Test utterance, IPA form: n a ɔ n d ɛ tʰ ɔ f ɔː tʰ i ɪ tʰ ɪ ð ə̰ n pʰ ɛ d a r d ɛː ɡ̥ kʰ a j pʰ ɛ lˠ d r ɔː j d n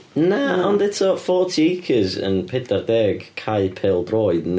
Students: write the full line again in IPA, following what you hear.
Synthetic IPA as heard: n a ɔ n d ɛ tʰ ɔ f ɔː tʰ i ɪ kʰ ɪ z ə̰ n pʰ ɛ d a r d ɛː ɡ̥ kʰ a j pʰ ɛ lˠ d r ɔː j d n

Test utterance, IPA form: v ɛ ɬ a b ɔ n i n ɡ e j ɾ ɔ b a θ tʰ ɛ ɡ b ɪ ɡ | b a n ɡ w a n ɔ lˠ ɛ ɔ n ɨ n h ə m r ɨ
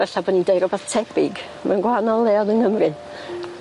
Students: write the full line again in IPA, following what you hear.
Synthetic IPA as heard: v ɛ ɬ a b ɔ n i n d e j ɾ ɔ b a θ tʰ ɛ b ɪ ɡ | m a n ɡ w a n ɔ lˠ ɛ ɔ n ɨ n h ə m r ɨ

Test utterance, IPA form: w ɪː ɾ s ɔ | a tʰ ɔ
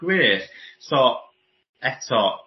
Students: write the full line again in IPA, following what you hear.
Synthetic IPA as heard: w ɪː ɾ s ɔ | ɛ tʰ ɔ

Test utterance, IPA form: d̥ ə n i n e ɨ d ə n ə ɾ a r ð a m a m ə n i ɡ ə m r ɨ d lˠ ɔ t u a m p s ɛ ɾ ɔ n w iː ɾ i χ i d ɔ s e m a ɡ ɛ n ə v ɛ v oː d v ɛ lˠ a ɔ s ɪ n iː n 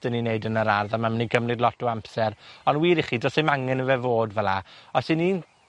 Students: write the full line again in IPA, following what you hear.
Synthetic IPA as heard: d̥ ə n i n e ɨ d ə n ə ɾ a r ð a m a m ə n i ɡ ə m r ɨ d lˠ ɔ t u a m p s ɛ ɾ ɔ n w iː ɾ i χ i d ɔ s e m a ŋ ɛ n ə v ɛ v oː d v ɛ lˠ a ɔ s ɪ n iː n

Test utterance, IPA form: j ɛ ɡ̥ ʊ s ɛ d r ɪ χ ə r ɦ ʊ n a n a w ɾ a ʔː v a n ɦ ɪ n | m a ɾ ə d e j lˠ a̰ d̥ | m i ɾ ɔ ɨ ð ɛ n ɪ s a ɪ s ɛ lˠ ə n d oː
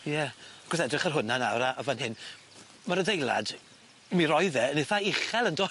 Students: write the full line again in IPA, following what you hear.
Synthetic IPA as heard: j ɛ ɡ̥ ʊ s ɛ d r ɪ χ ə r ɦ ʊ n a n a w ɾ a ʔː v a n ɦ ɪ n | m a ɾ ə d e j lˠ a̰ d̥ | m i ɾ ɔ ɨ ð ɛ n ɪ θ a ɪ χ ɛ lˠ ə n d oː

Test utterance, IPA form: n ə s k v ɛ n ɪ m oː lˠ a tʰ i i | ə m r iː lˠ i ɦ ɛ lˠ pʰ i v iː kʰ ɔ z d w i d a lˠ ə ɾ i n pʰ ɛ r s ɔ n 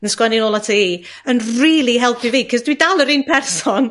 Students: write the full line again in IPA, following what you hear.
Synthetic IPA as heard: n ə s k w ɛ n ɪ n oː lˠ a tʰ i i | ə n r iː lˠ i ɦ ɛ lˠ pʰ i v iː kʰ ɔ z d w i d a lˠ ə ɾ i n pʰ ɛ r s ɔ n

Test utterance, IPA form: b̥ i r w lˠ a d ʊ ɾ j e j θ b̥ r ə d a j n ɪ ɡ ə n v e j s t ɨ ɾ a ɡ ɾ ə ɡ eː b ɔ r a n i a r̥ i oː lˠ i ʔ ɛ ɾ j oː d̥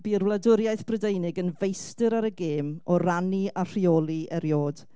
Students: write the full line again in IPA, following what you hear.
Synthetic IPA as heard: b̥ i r w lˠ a d ʊ ɾ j a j θ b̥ r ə d e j n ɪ ɡ ə n v e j s t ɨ ɾ a ɾ ə ɡ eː m ɔ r a n i a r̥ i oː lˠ i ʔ ɛ ɾ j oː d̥

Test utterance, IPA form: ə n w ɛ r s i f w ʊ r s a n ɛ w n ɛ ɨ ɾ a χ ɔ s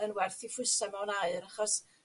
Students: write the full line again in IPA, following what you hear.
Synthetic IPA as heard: ə n w ɛ r θ i f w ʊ s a m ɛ w n a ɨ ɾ a χ ɔ s

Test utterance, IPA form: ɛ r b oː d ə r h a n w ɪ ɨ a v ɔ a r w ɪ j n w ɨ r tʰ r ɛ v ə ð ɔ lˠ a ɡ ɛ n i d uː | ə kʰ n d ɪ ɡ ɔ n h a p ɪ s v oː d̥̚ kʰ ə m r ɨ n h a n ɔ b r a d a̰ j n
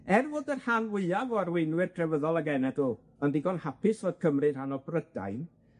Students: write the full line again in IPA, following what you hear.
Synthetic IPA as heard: ɛ r v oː d ə r h a n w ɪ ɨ a v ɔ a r w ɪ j n w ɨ r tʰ r ɛ v ə ð ɔ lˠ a ɡ ɛ n ɛ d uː | ə n d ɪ ɡ ɔ n h a p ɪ s v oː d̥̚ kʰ ə m r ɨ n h a n ɔ b r ə d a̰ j n

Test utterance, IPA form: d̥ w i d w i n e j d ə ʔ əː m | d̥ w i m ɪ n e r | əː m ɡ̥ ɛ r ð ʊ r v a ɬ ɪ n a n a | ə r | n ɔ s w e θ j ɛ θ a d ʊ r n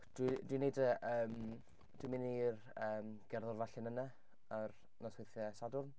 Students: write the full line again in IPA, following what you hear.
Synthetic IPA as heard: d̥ w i d w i n e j d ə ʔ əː m | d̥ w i m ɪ n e r | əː m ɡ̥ ɛ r ð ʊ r v a ɬ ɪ n ə n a | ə r | n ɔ s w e θ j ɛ s a d ʊ r n

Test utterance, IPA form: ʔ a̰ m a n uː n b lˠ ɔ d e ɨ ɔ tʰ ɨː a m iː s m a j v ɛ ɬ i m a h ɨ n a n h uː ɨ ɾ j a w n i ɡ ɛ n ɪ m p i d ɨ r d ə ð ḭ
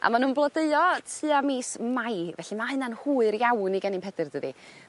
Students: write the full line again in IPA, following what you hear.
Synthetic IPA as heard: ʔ a̰ m a n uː n b lˠ ɔ d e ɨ ɔ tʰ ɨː a m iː s m a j v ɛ ɬ i m a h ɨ n a n h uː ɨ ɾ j a w n i ɡ ɛ n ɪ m p ɛ d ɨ r d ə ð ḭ

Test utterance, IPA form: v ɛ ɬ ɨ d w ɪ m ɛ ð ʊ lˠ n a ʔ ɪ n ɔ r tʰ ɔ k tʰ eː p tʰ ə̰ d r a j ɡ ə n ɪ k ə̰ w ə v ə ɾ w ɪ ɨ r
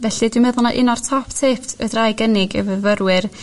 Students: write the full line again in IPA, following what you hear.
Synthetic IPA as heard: v ɛ ɬ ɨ d w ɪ m ɛ ð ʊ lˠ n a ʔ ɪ n ɔ r tʰ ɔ p tʰ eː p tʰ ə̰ d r a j ɡ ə n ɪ ɡ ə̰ v ə v ə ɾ w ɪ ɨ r

